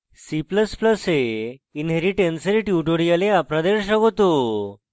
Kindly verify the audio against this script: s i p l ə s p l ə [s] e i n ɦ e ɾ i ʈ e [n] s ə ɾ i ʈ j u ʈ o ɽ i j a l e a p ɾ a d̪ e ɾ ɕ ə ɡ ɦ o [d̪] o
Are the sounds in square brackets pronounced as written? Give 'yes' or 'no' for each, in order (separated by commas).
yes, yes, no